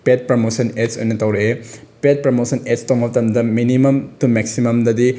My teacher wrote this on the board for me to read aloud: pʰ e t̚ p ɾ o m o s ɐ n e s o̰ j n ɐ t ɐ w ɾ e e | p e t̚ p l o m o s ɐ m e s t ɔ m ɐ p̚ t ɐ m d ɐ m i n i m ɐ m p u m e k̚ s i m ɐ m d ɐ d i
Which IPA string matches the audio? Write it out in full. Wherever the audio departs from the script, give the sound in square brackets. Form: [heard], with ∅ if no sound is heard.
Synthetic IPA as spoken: [p] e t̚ p ɾ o m o s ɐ n e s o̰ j n ɐ t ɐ w ɾ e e | p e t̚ p [ɾ] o m o s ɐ [n] e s t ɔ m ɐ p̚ t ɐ m d ɐ m i n i m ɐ m [t] u m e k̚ s i m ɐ m d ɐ d i